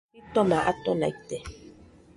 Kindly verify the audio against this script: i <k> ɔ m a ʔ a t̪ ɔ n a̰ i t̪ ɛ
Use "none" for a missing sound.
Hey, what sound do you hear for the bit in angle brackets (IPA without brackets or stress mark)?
t